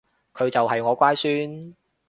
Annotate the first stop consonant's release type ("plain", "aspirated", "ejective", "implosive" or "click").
aspirated